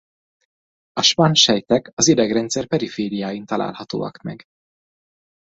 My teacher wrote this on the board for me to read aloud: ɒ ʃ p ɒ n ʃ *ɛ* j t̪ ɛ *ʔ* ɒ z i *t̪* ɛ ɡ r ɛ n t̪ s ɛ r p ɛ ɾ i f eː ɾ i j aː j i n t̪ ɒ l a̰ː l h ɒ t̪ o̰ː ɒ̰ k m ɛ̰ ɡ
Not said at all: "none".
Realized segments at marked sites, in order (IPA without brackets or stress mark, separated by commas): ɛ, k, d̪